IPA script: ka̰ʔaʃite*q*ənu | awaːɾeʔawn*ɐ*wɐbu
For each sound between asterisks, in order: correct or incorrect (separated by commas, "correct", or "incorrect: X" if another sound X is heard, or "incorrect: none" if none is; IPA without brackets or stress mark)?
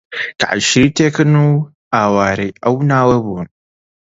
incorrect: k, incorrect: a